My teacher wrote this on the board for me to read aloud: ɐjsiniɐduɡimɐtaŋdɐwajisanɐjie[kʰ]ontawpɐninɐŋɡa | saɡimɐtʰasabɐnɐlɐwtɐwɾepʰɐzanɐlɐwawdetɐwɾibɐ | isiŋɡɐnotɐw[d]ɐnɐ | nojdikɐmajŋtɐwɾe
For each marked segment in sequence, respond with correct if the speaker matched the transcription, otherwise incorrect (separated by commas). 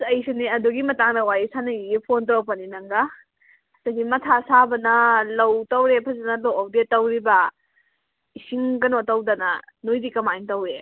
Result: incorrect, correct